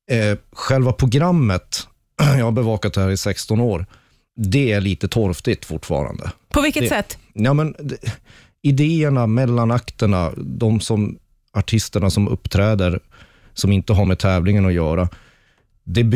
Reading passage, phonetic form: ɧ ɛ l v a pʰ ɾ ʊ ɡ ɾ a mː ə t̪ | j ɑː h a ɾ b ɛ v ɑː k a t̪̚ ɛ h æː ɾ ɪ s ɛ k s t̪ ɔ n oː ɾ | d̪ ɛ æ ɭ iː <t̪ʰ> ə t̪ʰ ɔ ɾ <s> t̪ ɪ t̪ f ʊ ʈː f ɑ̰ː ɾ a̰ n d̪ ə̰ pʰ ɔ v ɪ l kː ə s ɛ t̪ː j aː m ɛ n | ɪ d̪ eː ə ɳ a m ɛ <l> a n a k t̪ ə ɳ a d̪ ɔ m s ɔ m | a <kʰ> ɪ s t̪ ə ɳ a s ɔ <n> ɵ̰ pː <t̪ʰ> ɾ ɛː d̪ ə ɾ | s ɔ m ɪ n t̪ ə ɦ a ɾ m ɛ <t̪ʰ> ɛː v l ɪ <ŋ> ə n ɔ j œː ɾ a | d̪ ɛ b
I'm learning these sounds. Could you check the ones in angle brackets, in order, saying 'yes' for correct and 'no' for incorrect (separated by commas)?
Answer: no, no, no, no, no, yes, yes, yes